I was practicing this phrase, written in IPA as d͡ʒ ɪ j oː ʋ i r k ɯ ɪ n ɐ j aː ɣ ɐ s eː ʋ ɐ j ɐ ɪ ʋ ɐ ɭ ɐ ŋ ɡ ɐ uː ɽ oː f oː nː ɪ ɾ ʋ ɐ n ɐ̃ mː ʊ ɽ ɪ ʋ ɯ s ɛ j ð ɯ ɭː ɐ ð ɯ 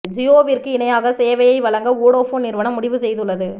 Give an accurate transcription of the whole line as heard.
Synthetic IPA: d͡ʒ ɪ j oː ʋ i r k ɯ ɪ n ɐ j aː ɣ ɐ s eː ʋ ɐ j ɐ ɪ ʋ ɐ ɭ ɐ ŋ ɡ ɐ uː ɽ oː f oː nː ɪ ɾ ʋ ɐ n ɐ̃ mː ʊ ɽ ɪ ʋ ɯ s ɛ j ð ɯ ɭː ɐ ð ɯ